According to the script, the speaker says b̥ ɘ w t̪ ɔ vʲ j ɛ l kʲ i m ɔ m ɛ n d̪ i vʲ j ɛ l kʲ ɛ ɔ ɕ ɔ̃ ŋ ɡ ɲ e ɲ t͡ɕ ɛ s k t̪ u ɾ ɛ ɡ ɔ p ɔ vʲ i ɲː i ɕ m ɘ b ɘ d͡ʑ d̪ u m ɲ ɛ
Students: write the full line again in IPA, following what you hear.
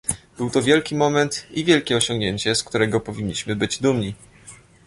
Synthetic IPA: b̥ ɘ w t̪ ɔ vʲ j ɛ l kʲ i m ɔ m ɛ n t̪ i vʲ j ɛ l kʲ ɛ ɔ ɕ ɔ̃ ŋ ɡ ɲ e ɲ t͡ɕ ɛ s k t̪ u ɾ ɛ ɡ ɔ p ɔ vʲ i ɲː i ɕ m ɘ b ɘ d͡ʑ d̪ u m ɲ i